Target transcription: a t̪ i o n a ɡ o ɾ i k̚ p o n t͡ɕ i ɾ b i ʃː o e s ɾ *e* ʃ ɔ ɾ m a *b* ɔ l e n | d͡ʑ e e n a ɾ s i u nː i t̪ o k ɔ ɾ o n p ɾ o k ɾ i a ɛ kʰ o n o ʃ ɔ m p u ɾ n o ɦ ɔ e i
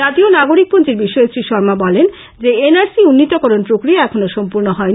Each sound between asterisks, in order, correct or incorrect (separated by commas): incorrect, correct